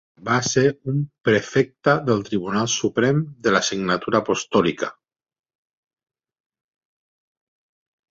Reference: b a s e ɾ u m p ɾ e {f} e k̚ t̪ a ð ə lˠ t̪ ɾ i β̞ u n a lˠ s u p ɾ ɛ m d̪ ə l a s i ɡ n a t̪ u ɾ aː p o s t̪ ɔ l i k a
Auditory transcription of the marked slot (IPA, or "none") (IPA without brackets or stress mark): f